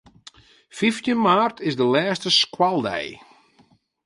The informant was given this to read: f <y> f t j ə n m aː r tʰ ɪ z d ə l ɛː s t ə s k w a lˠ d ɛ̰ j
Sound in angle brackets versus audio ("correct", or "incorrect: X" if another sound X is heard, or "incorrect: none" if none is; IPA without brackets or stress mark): incorrect: i